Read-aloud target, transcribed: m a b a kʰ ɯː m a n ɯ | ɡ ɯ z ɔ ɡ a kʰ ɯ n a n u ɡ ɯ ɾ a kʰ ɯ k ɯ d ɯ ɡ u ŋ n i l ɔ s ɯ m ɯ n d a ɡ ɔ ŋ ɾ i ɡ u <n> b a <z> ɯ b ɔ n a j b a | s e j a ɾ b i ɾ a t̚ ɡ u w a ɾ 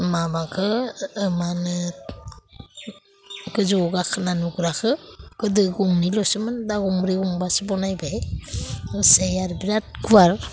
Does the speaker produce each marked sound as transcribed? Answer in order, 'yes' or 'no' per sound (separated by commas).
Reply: no, no